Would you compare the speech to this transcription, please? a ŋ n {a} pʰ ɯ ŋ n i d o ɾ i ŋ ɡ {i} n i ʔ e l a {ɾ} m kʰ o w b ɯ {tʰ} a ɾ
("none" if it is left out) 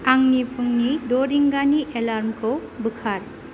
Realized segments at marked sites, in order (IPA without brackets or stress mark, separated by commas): i, a, ɾ, kʰ